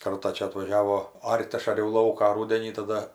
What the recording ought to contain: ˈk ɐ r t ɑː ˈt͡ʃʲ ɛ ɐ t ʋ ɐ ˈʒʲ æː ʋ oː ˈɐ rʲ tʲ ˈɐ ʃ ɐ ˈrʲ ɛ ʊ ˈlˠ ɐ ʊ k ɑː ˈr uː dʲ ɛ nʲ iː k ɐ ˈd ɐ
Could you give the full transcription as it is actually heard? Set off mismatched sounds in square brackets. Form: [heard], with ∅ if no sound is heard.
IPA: ˈk ɐ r t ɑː ˈt͡ʃʲ ɛ ɐ t ʋ ɐ ˈʒʲ æː ʋ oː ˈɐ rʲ tʲ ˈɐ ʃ ɐ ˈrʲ ɛ ʊ ˈlˠ ɐ ʊ k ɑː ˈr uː dʲ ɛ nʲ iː [t] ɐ ˈd ɐ